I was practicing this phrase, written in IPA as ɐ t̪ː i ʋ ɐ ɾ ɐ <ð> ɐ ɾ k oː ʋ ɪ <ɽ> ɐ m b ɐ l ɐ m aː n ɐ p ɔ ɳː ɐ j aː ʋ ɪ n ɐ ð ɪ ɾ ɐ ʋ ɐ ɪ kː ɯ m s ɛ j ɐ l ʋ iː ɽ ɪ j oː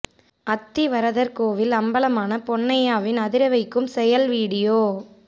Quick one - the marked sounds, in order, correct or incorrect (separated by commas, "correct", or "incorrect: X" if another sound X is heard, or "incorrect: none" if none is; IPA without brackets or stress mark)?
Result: correct, incorrect: l